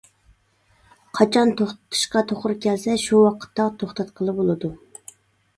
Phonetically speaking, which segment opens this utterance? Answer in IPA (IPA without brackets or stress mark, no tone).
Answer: qʰ